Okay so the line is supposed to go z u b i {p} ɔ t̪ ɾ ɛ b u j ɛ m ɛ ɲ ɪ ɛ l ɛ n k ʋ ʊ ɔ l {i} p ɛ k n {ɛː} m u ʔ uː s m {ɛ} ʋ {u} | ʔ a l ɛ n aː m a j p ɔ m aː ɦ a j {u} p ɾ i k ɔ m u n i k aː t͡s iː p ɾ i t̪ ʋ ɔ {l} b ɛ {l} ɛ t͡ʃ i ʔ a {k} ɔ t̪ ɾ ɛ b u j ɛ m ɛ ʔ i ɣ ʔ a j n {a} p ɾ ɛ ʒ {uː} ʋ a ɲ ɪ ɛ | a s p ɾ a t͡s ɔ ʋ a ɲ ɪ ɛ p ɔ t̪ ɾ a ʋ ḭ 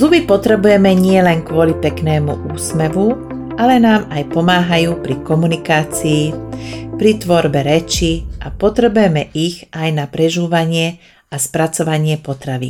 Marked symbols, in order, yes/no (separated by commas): yes, yes, yes, yes, yes, no, no, no, no, yes, yes